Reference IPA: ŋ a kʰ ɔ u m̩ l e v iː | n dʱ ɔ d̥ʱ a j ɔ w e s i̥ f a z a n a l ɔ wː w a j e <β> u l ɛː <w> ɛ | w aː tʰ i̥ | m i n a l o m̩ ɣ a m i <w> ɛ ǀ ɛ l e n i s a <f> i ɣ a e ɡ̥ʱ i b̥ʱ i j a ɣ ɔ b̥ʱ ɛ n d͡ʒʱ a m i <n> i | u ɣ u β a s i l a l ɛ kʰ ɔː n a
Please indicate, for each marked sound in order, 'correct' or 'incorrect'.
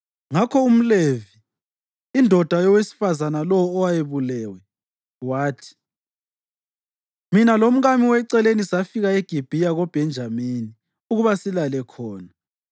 correct, correct, correct, correct, correct

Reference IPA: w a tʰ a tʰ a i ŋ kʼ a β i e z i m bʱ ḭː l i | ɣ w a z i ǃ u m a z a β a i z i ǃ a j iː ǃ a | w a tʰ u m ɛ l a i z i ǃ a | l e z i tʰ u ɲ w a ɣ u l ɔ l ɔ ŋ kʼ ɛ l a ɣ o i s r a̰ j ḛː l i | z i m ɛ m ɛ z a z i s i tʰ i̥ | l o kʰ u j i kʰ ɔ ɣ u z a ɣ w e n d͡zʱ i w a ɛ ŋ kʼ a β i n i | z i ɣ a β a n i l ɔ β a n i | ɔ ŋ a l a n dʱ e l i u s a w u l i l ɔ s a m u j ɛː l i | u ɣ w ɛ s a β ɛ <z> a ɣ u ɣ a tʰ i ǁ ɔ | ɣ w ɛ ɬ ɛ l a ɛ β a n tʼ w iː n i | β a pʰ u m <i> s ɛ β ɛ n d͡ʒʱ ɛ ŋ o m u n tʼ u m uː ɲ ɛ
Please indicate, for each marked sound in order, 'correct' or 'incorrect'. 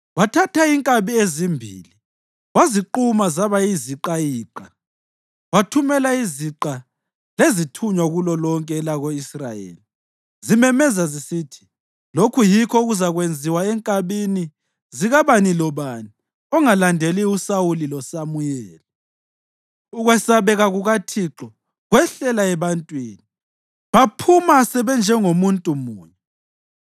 incorrect: ɣ, incorrect: a

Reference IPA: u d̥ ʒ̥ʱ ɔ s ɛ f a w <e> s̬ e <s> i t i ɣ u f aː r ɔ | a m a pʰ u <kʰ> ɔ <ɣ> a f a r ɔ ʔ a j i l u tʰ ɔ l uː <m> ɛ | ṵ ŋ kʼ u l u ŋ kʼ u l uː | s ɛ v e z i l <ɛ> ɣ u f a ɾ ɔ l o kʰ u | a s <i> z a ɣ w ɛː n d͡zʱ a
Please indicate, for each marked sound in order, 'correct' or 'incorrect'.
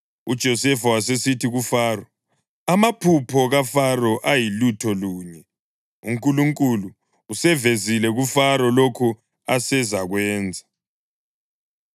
incorrect: a, correct, incorrect: pʰ, correct, incorrect: ɲ, correct, incorrect: ɛ

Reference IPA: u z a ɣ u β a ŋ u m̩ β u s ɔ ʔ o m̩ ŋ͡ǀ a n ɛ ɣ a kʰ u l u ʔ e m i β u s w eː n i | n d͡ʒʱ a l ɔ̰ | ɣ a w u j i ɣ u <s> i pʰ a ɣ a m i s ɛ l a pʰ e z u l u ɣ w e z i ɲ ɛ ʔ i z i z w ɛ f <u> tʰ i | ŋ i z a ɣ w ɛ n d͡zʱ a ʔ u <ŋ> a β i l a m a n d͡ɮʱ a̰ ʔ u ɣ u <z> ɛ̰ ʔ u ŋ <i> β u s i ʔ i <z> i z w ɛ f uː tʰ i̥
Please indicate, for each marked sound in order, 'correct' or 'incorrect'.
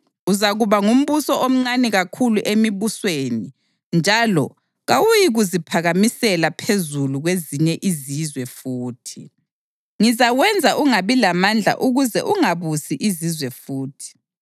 incorrect: z, incorrect: uː, correct, correct, incorrect: a, correct

